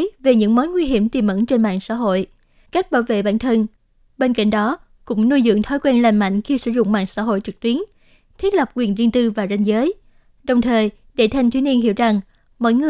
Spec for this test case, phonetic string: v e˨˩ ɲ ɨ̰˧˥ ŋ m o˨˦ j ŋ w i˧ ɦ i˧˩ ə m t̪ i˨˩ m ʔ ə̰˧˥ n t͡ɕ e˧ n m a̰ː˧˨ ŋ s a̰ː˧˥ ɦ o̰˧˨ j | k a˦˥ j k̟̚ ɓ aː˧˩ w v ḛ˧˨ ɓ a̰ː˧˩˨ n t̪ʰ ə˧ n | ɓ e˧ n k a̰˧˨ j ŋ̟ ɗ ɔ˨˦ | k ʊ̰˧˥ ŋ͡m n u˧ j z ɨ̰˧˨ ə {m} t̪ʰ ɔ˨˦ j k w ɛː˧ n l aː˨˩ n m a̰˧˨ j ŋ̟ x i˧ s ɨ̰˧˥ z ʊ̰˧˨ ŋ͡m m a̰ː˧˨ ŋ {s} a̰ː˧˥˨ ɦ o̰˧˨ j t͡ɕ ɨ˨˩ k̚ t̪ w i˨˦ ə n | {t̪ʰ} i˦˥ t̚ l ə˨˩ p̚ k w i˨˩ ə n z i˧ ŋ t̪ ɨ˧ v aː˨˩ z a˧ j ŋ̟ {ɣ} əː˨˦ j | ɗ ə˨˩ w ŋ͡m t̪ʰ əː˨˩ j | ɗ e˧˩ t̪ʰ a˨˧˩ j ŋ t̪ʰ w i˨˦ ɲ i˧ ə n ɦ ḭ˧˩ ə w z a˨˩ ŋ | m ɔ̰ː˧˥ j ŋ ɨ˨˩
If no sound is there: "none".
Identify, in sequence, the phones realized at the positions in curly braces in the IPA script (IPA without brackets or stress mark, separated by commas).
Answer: ŋ, s, t̪ʰ, z